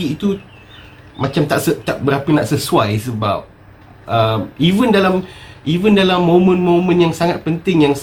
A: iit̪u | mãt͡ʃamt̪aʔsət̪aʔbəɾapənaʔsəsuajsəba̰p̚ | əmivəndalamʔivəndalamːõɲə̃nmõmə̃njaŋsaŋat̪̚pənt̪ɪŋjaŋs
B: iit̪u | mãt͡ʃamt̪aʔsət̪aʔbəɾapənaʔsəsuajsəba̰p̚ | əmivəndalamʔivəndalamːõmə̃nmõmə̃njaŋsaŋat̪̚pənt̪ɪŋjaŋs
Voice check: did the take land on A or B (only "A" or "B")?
B